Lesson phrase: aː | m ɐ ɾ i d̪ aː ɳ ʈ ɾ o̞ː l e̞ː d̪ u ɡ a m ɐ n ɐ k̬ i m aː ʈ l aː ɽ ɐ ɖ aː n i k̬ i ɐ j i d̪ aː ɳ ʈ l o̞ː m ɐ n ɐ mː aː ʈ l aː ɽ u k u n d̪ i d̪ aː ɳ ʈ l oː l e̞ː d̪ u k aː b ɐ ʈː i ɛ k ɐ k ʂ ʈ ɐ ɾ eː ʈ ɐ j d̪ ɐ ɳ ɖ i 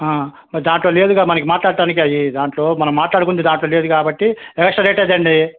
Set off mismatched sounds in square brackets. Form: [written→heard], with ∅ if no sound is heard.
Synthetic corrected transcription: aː | m ɐ ɾ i d̪ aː ɳ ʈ [ɾ→l] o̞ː l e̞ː d̪ u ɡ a m ɐ n ɐ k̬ i m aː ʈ l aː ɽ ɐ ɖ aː n i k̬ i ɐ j i d̪ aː ɳ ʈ l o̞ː m ɐ n ɐ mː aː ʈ l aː ɽ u k u n d̪ i d̪ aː ɳ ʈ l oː l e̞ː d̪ u k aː b ɐ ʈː i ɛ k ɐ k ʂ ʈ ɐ ɾ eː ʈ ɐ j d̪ ɐ ɳ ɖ i